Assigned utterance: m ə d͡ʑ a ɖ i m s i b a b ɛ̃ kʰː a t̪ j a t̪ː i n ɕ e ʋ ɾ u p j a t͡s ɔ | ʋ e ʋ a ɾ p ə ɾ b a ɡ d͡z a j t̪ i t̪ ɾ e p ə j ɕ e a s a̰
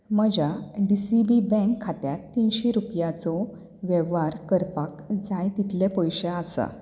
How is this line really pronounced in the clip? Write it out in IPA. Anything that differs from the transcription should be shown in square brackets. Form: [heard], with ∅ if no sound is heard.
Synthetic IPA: m ə d͡ʑ a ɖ i [∅] s i b [i] b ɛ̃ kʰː a t̪ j a t̪ː i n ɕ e [∅] ɾ u p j a t͡s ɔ | ʋ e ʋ a ɾ [k] ə ɾ [p] a [k] d͡z a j t̪ i t̪ [l] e p ə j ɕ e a s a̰